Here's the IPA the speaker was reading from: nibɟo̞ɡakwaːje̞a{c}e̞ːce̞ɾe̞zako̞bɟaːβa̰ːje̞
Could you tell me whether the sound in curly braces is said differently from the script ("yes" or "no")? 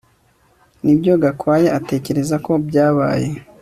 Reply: yes